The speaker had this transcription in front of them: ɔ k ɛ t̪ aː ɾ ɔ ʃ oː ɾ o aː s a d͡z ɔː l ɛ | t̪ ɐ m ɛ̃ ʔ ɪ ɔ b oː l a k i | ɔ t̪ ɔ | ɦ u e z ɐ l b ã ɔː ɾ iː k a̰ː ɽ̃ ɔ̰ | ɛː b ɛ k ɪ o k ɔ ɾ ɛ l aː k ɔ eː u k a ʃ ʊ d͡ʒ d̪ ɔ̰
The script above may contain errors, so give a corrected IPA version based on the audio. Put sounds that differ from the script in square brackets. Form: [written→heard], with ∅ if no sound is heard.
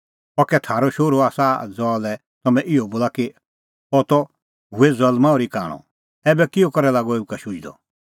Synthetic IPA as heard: ɔ k ɛ [t̪→t̪ʰ] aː ɾ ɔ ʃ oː ɾ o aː s a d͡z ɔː l ɛ | t̪ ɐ m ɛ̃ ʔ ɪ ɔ b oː l a k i | ɔ t̪ ɔ | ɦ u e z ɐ l [b→m] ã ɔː ɾ [iː→i] k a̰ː ɽ̃ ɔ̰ | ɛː b ɛ k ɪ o k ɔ ɾ ɛ l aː [k→ɡ] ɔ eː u k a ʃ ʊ d͡ʒ d̪ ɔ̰